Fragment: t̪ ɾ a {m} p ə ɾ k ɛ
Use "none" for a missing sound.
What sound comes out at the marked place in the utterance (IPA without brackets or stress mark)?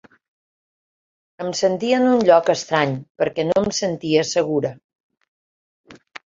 ɲ